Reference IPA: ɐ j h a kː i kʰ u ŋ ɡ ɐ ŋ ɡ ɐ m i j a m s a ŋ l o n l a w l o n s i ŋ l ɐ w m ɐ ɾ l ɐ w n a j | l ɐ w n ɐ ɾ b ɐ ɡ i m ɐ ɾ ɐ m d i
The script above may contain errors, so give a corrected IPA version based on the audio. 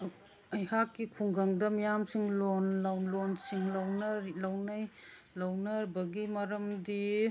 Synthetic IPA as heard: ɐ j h a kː i kʰ u ŋ ɡ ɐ ŋ d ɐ m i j a m s i ŋ l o n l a w l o n s i ŋ l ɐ w n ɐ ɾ l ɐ w n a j | l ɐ w n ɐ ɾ b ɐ ɡ i m ɐ ɾ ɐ m d i